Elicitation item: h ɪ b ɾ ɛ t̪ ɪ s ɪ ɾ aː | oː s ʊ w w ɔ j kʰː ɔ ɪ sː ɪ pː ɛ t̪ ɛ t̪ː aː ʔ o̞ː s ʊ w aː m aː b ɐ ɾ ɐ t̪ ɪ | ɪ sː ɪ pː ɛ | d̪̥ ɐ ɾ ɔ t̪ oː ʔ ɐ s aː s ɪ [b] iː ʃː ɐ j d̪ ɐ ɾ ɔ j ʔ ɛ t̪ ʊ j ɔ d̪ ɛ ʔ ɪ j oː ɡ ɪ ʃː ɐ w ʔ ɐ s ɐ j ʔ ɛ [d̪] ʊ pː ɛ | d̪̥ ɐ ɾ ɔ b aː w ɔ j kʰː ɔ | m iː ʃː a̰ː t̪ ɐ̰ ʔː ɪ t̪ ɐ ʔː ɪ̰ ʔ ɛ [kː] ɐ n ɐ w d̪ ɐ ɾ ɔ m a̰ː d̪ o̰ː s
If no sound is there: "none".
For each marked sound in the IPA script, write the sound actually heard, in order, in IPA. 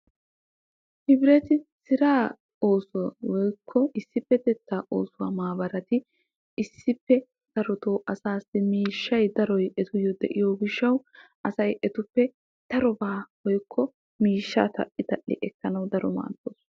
m, t̪, kː

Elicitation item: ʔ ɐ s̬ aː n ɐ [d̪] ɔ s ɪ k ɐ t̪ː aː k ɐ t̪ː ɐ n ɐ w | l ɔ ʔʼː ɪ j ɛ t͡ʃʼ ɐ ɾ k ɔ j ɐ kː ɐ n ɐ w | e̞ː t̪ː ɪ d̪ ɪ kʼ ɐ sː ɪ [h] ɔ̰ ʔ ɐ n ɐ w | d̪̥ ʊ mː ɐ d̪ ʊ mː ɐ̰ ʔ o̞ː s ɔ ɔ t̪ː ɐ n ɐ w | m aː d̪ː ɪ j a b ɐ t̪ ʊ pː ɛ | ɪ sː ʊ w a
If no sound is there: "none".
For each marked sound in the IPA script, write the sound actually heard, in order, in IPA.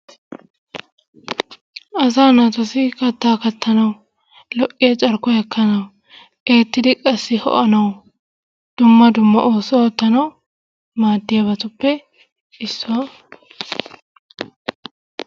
t̪, h

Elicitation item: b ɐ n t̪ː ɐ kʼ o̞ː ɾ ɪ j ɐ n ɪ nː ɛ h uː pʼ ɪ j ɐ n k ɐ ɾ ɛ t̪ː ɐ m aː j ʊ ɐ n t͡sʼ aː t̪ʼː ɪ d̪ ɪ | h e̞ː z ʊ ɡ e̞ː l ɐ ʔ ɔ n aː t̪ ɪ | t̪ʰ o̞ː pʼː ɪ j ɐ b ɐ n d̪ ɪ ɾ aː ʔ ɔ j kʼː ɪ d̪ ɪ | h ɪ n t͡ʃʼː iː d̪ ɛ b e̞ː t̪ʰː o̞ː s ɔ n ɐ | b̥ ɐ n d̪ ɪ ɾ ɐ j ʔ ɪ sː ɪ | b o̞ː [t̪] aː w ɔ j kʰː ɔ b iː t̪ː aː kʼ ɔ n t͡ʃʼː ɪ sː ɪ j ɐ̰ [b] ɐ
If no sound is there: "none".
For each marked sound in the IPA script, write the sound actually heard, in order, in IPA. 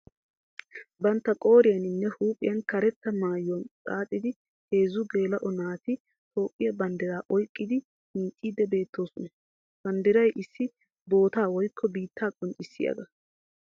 t̪, ɡ

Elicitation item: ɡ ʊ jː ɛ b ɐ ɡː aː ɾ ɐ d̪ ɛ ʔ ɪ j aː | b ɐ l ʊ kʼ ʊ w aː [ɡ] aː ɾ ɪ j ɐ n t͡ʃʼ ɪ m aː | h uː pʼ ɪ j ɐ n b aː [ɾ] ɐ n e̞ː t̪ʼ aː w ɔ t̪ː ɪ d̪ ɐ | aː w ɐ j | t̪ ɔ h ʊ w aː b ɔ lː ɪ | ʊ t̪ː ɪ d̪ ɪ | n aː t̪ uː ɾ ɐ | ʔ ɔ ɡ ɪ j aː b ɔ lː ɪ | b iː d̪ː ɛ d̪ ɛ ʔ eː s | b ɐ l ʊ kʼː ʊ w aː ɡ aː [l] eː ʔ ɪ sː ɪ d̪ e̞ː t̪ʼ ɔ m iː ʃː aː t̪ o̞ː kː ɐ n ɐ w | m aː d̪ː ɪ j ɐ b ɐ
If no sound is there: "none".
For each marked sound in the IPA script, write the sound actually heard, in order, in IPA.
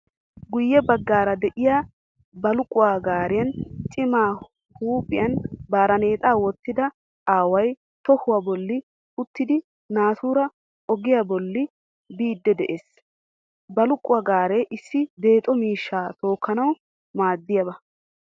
ɡ, ɾ, ɾ

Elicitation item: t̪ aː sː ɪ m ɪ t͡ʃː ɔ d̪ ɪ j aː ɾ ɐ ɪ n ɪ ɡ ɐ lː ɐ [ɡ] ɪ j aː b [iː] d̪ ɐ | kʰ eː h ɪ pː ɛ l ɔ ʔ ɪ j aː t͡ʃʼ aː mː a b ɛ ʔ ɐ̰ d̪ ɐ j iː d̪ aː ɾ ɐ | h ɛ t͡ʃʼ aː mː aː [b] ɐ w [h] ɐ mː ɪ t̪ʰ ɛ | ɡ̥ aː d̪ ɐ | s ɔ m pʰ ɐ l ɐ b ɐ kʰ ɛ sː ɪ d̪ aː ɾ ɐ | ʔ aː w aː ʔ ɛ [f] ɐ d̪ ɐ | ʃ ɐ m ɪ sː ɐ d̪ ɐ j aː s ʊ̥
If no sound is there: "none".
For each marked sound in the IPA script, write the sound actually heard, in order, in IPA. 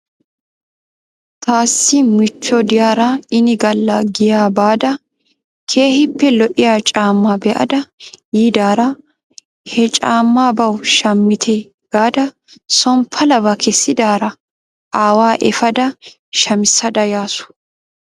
ɡ, aː, b, ʃ, f

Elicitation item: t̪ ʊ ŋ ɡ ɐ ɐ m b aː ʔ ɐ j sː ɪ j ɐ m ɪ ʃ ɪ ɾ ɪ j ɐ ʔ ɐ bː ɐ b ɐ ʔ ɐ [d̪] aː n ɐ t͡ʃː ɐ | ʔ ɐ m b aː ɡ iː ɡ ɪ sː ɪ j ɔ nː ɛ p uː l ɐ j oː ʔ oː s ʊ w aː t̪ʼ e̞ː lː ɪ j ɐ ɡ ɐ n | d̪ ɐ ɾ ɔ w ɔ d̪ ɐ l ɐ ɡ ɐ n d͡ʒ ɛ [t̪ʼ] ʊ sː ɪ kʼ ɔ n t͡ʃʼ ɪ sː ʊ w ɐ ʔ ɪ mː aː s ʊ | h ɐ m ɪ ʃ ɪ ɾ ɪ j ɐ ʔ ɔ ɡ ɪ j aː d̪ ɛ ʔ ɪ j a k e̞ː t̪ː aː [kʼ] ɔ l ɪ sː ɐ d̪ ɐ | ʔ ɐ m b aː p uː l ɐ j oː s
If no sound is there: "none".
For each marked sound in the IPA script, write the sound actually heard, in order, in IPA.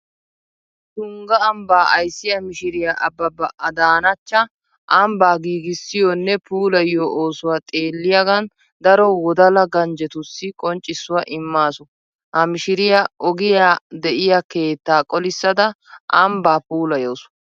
d̪, t̪, kʼ

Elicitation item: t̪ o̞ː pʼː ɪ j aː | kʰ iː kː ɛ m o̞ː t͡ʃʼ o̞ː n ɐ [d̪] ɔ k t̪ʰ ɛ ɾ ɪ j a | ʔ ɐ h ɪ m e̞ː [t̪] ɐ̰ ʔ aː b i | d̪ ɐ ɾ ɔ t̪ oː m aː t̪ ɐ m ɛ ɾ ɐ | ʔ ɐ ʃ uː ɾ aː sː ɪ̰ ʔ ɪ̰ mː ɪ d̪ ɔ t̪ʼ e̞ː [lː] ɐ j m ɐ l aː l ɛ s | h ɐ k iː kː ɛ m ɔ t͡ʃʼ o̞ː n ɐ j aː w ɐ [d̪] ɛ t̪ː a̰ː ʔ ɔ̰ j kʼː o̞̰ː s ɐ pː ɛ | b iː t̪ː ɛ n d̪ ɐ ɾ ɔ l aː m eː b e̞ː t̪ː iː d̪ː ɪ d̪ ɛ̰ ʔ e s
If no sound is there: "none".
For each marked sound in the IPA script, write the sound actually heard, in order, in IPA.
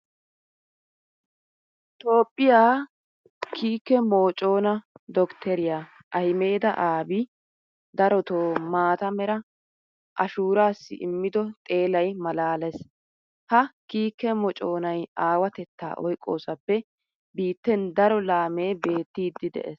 d̪, d̪, l, t̪

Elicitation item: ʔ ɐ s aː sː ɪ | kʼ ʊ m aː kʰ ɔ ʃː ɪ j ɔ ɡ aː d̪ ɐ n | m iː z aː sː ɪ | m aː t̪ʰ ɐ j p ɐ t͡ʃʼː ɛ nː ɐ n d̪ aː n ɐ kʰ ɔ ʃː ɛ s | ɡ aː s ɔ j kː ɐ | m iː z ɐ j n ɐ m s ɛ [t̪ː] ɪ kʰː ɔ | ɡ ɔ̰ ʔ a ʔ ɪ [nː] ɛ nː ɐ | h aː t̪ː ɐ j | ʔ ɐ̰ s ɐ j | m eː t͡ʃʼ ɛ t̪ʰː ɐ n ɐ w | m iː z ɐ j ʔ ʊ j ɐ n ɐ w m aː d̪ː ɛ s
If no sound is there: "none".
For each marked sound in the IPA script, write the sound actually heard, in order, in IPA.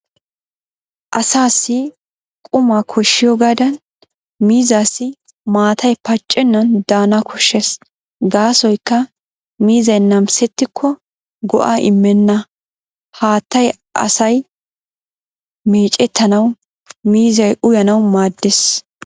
t̪ː, mː

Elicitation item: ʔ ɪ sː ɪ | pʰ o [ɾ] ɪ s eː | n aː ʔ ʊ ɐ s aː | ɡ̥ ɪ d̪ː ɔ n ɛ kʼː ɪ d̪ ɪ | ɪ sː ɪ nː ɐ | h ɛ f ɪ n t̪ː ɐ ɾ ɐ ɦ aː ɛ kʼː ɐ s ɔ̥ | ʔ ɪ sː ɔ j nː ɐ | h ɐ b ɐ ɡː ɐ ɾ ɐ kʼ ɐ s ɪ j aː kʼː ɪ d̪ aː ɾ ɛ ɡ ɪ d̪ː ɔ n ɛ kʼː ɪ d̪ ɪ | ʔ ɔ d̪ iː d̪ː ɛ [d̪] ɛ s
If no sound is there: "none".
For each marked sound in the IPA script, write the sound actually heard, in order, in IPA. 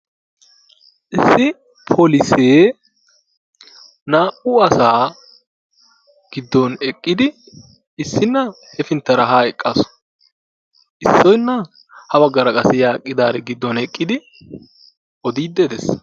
l, d̪

